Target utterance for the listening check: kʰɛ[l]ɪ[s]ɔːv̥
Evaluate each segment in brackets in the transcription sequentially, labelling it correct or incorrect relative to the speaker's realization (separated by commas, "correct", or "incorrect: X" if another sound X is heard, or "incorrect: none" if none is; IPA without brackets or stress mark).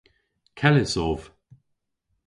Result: correct, correct